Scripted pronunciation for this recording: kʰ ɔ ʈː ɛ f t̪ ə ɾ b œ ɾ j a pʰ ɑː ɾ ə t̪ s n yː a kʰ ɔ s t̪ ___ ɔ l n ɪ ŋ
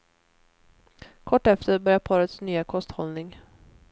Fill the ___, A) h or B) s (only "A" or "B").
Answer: A